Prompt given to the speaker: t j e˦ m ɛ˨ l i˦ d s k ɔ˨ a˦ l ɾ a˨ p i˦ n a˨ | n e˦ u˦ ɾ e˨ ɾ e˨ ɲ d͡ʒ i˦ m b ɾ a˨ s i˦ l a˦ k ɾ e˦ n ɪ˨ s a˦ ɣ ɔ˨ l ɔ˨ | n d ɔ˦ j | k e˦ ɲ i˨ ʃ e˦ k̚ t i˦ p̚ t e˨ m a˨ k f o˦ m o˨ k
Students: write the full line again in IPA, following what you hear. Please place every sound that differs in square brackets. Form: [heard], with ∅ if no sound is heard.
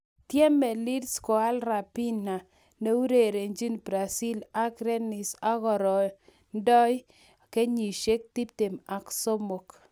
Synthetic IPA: t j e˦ m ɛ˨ l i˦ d s k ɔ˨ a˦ l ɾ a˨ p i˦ n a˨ | n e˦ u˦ ɾ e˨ ɾ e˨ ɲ d͡ʒ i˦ [n] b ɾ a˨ s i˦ l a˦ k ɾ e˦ n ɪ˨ s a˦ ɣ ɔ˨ [ɾ] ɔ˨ | n d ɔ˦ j | k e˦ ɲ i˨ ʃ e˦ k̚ t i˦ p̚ t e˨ m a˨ k [s] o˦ m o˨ k